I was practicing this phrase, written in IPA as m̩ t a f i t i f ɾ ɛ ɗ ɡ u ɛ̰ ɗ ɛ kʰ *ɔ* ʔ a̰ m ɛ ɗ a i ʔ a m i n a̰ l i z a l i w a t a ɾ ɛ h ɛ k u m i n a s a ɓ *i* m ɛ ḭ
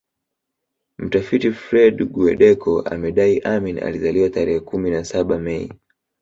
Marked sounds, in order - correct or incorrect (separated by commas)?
correct, incorrect